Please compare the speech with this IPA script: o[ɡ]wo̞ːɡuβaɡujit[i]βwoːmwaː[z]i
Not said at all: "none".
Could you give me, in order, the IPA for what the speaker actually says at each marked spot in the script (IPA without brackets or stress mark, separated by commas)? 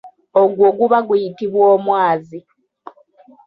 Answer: ɡ, i, z